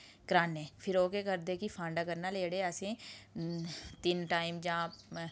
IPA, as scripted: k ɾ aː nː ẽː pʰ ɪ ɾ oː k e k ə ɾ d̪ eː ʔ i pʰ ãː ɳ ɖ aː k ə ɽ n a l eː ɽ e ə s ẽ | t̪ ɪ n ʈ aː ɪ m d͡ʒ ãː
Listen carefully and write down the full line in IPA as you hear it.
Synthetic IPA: k ɾ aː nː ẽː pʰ ɪ ɾ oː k e k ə ɾ d̪ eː k i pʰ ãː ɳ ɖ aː k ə ɾ n a l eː ɽ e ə s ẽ | t̪ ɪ n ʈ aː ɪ m d͡ʒ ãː